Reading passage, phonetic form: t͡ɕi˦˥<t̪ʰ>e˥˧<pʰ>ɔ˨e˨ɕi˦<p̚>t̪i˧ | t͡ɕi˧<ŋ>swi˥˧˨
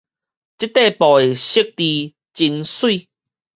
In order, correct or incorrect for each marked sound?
incorrect: t̪, incorrect: p, incorrect: k̚, incorrect: n

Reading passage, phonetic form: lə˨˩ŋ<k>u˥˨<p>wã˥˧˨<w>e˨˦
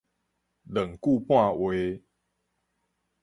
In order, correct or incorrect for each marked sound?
correct, correct, correct

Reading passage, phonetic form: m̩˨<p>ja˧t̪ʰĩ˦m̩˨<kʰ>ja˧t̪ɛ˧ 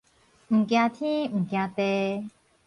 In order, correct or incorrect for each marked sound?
incorrect: k, incorrect: k

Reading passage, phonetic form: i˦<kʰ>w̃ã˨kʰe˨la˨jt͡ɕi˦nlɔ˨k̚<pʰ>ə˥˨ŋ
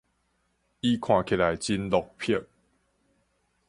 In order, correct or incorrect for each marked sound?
correct, correct

